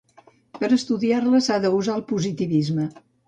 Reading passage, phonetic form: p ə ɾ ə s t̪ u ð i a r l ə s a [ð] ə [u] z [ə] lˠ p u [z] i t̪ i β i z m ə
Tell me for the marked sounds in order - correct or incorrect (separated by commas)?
correct, correct, incorrect, correct